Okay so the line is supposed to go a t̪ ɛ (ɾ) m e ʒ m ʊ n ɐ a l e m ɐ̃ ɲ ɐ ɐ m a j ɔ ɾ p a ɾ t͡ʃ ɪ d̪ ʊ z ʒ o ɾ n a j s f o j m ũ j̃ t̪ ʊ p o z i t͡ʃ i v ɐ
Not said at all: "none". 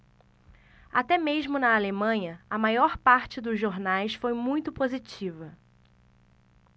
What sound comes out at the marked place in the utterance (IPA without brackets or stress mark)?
none